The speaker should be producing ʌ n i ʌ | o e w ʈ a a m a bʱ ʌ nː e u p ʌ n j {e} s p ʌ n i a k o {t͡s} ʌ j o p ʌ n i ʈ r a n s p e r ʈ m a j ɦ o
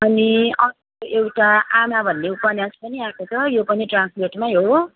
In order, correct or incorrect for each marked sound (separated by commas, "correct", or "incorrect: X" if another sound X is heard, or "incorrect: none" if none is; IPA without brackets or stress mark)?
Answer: incorrect: a, incorrect: t͡sʰ